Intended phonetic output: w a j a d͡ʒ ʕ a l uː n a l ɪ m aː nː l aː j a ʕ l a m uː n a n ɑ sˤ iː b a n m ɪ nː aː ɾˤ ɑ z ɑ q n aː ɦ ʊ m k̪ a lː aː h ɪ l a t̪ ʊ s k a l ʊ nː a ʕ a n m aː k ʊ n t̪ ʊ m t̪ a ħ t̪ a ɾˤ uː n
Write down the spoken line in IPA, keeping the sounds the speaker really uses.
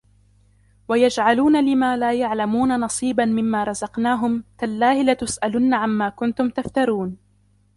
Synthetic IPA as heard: w a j a d͡ʒ ʕ a l uː n a l ɪ m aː l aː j a ʕ l a m uː n a n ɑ sˤ iː b a n m ɪ mː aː ɾˤ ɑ z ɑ q n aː ɦ ʊ m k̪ a lː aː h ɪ l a t̪ ʊ s ʔ a l ʊ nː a ʕ a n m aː k ʊ n t̪ ʊ m t̪ a f t̪ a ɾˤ uː n